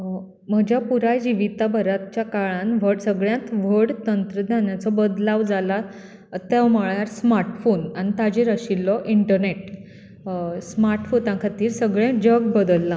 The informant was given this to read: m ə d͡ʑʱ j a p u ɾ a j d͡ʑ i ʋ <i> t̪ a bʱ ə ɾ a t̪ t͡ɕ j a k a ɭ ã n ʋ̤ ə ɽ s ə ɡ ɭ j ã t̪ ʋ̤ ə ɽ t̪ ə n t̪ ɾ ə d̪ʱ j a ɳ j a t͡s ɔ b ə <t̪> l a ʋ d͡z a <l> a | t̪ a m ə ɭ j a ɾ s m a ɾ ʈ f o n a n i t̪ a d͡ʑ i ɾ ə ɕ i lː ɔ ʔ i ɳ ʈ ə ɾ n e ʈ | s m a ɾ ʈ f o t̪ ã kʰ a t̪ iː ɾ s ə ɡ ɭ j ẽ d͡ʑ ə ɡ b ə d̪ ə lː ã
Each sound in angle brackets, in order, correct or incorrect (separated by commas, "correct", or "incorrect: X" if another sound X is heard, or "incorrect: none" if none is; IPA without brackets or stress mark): correct, incorrect: d̪, correct